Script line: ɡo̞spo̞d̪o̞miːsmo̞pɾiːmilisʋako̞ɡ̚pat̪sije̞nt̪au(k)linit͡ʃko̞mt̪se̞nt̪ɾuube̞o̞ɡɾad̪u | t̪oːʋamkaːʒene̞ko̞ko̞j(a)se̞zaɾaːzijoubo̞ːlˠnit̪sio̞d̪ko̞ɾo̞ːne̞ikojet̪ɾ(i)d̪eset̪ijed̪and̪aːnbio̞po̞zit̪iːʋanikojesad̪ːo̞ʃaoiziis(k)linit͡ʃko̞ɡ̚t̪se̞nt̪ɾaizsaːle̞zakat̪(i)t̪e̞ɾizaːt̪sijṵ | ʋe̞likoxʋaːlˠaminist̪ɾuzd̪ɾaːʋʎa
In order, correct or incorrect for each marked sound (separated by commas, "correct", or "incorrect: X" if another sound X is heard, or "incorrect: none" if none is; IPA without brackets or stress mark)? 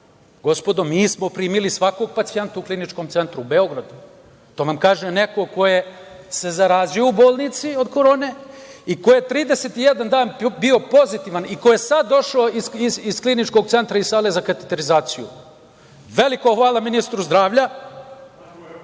correct, incorrect: e, incorrect: iː, correct, incorrect: e